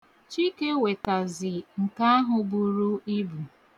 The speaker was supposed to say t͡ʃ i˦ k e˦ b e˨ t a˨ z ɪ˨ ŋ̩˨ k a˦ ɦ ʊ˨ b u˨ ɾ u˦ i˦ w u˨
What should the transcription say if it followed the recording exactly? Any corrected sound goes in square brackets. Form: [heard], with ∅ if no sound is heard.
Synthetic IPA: t͡ʃ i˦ k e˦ [w] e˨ t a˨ z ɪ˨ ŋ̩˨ k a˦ ɦ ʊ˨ b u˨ ɾ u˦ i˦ [b] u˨